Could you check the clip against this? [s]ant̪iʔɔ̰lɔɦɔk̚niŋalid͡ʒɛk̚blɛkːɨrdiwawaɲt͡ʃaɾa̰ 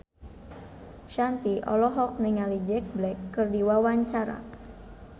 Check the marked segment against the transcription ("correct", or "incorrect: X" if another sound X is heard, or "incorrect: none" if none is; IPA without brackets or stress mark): incorrect: ʃ